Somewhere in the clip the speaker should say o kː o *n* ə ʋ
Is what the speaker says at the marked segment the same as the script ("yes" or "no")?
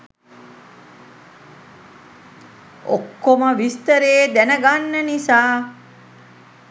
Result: no